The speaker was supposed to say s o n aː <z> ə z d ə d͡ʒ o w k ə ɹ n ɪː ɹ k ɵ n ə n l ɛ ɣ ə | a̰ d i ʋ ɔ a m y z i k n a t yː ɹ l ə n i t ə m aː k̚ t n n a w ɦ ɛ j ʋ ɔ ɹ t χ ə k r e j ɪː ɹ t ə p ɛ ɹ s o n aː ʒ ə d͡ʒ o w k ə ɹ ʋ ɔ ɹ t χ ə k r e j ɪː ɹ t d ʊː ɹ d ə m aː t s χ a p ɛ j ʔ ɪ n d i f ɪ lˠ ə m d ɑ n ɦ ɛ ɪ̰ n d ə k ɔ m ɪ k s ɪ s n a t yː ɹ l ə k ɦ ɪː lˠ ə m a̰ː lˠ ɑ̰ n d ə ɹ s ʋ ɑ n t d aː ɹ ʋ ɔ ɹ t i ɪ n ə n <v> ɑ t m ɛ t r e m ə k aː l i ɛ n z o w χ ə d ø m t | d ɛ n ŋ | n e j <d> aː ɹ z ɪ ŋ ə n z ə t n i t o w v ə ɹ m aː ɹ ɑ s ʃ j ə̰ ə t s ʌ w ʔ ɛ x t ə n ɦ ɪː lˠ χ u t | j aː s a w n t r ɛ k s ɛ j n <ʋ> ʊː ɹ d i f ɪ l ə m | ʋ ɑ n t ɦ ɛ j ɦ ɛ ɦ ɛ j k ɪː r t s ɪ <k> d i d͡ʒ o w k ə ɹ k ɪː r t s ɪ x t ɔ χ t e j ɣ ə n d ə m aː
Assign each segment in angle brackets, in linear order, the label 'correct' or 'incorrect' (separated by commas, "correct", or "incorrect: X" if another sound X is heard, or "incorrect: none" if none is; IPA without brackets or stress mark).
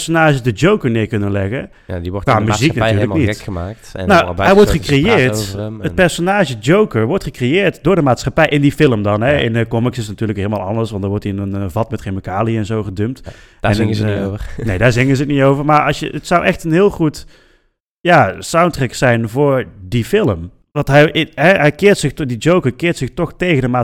incorrect: ʒ, correct, correct, incorrect: v, incorrect: x